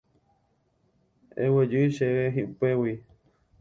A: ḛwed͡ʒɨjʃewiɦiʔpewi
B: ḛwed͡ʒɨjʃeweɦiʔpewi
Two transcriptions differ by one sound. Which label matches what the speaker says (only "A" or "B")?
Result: B